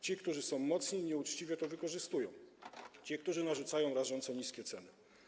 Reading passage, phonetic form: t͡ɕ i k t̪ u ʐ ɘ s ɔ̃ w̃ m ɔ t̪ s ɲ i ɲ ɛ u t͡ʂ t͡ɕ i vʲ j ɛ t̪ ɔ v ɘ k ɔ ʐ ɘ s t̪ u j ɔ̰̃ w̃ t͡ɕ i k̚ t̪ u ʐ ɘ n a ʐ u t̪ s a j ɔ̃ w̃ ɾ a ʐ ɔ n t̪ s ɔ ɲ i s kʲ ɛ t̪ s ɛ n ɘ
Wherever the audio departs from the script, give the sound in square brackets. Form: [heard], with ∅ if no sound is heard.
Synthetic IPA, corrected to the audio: t͡ɕ i k t̪ u ʐ ɘ s ɔ̃ w̃ m ɔ t̪ s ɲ i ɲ ɛ u t͡ʂ t͡ɕ i vʲ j ɛ t̪ ɔ v ɘ k ɔ ʐ ɘ s t̪ u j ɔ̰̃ w̃ t͡ɕ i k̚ t̪ u ʐ ɘ n a ʐ u t̪ s a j ɔ̃ w̃ ɾ a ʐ ɔ n t̪ s ɔ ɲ i s kʲ ɛ t̪ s ɛ n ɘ